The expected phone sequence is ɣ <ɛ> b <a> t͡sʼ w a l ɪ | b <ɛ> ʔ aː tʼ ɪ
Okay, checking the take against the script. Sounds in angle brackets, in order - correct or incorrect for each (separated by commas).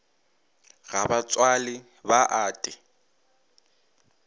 incorrect, correct, incorrect